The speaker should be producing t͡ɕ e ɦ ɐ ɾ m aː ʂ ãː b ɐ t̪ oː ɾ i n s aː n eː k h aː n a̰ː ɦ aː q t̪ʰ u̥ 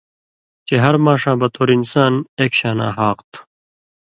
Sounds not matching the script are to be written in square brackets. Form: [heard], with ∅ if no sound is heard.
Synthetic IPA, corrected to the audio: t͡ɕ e ɦ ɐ ɾ m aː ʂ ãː b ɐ t̪ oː ɾ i n s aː n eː k [ɕ] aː n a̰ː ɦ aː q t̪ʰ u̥